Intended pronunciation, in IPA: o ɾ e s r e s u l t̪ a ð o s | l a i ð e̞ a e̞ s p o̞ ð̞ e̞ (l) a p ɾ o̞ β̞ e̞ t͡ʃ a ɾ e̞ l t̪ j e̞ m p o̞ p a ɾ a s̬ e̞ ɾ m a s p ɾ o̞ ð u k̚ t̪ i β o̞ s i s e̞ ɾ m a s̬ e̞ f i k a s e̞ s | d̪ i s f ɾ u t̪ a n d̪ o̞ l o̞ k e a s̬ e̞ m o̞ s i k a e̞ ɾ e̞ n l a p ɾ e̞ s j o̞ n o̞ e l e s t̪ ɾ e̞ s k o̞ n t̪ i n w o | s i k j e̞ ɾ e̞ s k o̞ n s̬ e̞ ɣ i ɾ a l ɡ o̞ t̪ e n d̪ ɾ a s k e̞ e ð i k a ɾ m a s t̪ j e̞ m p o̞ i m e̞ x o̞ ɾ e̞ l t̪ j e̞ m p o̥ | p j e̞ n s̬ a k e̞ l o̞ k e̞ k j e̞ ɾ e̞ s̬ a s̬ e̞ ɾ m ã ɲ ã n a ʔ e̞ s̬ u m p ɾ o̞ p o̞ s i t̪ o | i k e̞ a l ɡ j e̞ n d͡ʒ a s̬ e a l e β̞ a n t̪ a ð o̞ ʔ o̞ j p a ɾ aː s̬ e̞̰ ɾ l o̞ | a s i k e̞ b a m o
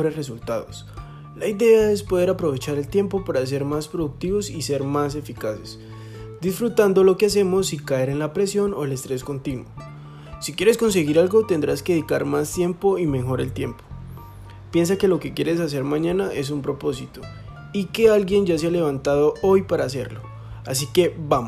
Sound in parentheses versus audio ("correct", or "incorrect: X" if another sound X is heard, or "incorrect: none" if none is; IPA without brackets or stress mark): incorrect: ɾ